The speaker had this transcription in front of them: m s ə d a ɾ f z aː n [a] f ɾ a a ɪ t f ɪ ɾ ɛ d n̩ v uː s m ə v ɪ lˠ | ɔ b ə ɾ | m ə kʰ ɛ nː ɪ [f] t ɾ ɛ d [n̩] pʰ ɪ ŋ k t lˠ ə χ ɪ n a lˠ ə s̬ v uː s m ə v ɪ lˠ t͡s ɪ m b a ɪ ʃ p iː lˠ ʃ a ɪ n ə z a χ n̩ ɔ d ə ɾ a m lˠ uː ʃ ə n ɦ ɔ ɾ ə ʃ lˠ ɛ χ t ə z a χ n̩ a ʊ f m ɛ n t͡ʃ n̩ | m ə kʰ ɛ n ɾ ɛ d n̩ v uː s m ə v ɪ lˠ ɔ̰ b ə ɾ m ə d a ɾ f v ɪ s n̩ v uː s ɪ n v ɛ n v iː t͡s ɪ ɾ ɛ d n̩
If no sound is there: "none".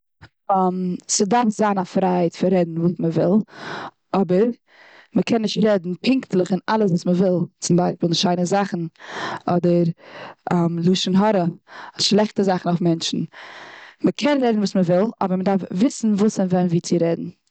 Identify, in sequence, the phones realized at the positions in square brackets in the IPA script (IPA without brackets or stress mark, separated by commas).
a, ʃ, n̩